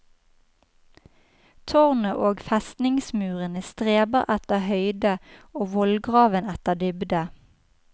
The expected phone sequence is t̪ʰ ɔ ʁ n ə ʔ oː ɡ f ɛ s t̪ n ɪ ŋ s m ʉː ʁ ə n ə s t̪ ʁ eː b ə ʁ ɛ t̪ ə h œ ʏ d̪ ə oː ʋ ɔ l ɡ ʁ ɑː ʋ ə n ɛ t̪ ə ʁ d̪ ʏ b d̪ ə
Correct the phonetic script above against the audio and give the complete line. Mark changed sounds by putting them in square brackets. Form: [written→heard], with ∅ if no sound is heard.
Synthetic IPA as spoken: t̪ʰ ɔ ʁ n ə ʔ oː ɡ f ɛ s t̪ n ɪ ŋ s m ʉː ʁ ə n ə s t̪ ʁ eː b ə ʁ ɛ t̪ ə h œ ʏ d̪ ə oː ʋ ɔ l ɡ ʁ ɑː ʋ ə n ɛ t̪ ə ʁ d̪ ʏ b d̪ ə

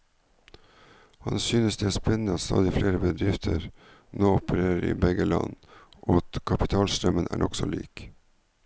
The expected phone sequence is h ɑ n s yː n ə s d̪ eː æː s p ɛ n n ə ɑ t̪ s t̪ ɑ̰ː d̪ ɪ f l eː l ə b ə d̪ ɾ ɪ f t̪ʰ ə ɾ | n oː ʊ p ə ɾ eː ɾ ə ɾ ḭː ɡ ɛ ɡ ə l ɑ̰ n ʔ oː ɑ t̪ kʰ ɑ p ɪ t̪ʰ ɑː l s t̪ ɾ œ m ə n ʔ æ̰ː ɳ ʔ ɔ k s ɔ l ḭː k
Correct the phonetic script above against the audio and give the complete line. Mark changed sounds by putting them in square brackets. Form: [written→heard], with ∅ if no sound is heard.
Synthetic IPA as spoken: h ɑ n s yː n ə s d̪ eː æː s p ɛ n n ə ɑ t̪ s t̪ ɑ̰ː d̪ ɪ f l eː [l→ɾ] ə b ə d̪ ɾ ɪ f t̪ʰ ə ɾ | n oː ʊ p ə ɾ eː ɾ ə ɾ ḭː [ɡ→b] ɛ ɡ ə l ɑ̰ n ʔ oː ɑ t̪ kʰ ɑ p ɪ t̪ʰ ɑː l s t̪ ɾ œ m ə n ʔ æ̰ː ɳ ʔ ɔ k s ɔ l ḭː k

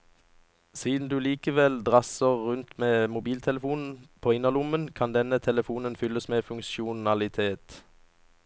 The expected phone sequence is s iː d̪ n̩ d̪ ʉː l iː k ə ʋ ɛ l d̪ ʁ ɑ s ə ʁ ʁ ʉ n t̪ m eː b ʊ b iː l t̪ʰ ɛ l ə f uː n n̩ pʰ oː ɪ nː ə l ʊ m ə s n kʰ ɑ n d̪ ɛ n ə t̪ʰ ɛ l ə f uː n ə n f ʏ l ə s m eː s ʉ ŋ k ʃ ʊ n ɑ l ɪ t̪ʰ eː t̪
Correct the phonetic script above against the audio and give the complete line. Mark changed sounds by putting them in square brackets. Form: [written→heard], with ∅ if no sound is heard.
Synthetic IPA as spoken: s iː d̪ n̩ d̪ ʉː l iː k ə ʋ ɛ l d̪ ʁ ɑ s ə ʁ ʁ ʉ n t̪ m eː [b→m] ʊ b iː l t̪ʰ ɛ l ə f uː n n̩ pʰ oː ɪ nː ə l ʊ m ə [s→∅] n kʰ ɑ n d̪ ɛ n ə t̪ʰ ɛ l ə f uː n ə n f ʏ l ə s m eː [s→f] ʉ ŋ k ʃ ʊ n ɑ l ɪ t̪ʰ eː t̪

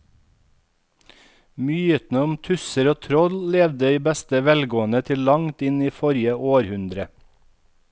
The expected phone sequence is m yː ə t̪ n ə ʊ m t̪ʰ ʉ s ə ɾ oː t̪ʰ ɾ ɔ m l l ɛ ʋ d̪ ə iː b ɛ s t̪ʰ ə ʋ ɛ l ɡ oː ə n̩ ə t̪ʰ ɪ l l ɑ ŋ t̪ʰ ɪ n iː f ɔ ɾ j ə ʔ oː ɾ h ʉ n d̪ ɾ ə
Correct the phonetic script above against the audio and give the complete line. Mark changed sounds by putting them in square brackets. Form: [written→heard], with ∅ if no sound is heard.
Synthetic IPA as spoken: m yː ə t̪ n ə ʊ m t̪ʰ ʉ s ə ɾ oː t̪ʰ ɾ ɔ [m→∅] l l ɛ ʋ d̪ ə iː b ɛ s [t̪ʰ→t̪] ə ʋ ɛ l ɡ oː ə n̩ ə t̪ʰ ɪ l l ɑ ŋ [t̪ʰ→t̪] ɪ n iː f ɔ ɾ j ə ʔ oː ɾ h ʉ n d̪ ɾ ə

